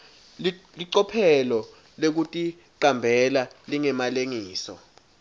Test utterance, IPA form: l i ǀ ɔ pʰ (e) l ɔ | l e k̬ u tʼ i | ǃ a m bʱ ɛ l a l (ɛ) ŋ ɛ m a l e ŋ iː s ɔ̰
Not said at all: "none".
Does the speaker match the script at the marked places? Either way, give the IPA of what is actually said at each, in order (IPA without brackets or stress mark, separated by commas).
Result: ɛ, i